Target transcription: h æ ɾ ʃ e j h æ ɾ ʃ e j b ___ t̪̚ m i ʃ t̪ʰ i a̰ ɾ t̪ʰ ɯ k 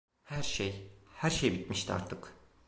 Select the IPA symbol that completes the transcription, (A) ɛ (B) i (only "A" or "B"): B